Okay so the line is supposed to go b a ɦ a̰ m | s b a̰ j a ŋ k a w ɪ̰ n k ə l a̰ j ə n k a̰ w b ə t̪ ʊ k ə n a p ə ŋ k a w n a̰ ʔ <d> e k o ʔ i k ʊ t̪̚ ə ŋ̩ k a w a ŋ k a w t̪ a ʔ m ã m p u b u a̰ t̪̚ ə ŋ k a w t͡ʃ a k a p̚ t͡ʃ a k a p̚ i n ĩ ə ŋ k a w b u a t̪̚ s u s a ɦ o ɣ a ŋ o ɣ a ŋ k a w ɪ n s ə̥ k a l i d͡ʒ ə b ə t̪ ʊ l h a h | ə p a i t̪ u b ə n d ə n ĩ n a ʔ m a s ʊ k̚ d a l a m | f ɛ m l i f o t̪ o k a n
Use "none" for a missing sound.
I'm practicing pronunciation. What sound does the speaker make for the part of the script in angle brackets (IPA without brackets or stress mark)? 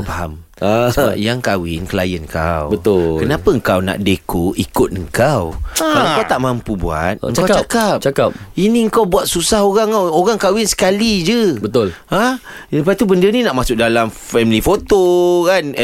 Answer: d